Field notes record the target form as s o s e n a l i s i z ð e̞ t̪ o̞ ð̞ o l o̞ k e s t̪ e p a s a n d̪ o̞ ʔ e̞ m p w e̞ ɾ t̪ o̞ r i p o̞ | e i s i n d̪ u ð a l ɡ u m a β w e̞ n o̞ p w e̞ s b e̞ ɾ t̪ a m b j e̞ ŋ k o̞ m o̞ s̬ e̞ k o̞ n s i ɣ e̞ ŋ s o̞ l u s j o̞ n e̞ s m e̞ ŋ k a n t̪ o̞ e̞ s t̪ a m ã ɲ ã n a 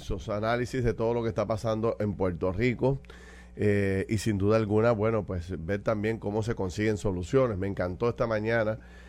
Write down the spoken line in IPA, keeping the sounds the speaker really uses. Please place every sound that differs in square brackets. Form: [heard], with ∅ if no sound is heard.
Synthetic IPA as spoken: s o s [a] n a l i s i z ð e̞ t̪ o̞ ð̞ o l o̞ k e s t̪ [a] p a s a n d̪ o̞ ʔ e̞ m p w e̞ ɾ t̪ o̞ r i [k] o̞ | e i s i n d̪ u ð a l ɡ u [n] a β w e̞ n o̞ p w e̞ s b e̞ ɾ t̪ a m b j e̞ ŋ k o̞ m o̞ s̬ e̞ k o̞ n s i ɣ e̞ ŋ s o̞ l u s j o̞ n e̞ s m e̞ ŋ k a n t̪ o̞ e̞ s t̪ a m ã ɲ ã n a